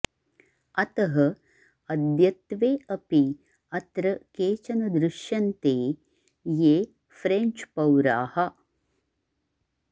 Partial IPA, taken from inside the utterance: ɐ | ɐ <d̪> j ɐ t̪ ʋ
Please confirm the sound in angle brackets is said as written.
yes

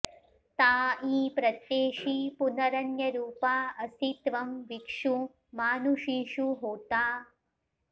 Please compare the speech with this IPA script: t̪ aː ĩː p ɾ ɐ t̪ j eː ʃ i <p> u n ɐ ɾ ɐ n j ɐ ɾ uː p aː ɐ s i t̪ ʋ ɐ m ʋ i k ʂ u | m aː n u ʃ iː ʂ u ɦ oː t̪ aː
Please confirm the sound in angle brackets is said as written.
yes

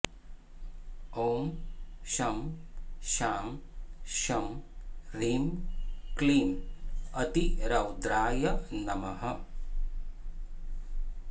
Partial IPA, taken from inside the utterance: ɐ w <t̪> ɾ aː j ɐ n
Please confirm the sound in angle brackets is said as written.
no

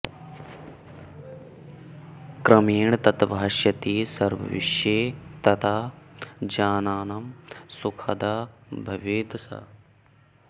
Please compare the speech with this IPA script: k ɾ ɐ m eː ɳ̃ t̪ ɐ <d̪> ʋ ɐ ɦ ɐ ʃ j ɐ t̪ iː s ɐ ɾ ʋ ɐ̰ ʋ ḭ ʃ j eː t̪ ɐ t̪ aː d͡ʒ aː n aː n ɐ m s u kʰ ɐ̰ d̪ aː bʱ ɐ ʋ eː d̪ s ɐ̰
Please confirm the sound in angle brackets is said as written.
no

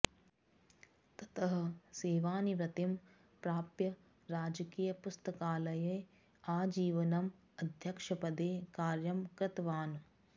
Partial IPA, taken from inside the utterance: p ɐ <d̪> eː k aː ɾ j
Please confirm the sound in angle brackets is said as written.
yes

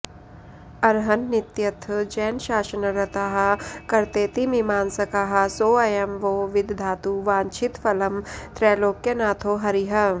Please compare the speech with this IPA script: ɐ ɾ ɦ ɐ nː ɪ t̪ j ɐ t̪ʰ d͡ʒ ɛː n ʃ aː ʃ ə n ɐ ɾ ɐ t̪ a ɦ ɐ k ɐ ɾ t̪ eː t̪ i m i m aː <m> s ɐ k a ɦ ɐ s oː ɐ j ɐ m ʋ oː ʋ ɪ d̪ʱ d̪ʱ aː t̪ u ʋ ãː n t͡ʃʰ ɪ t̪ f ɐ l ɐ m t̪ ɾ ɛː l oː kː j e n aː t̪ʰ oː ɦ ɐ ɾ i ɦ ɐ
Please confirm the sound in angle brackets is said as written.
no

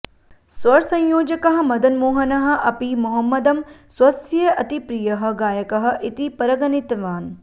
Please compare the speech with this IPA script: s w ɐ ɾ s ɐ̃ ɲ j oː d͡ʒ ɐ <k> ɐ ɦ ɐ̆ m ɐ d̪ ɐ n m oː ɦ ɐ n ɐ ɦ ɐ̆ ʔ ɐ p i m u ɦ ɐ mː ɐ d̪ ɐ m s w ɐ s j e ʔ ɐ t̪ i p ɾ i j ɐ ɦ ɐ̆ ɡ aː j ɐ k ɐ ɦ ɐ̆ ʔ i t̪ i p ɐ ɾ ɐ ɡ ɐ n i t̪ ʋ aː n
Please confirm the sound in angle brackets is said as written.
yes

